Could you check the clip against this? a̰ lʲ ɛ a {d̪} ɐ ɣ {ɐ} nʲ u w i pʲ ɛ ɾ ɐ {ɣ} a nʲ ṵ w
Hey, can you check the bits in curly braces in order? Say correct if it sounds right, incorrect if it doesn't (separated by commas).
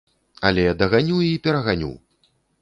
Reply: correct, incorrect, correct